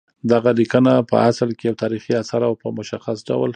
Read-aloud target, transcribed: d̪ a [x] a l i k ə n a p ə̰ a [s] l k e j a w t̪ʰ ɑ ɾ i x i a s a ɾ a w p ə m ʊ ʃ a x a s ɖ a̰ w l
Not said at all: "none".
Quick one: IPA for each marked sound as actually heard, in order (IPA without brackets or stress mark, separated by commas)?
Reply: ɣ, s